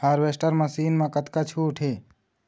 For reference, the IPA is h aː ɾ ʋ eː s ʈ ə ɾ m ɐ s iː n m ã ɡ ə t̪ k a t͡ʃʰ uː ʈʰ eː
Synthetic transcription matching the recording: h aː ɾ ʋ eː s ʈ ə ɾ m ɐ s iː n m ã k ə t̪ k a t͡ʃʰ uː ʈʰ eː